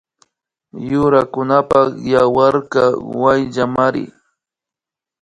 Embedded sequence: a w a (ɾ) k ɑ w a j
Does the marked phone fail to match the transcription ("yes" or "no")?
no